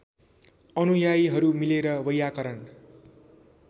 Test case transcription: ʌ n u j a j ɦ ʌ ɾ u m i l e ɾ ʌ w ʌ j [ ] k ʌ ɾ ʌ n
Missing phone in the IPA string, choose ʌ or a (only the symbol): a